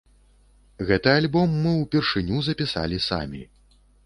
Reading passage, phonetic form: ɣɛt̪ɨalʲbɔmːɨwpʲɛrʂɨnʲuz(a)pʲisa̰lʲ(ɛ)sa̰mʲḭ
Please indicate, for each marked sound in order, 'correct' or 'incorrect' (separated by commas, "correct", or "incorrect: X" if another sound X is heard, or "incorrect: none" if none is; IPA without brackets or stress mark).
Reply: incorrect: ɐ, incorrect: i